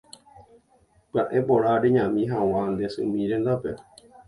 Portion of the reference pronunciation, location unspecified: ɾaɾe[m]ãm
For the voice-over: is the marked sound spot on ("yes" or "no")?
no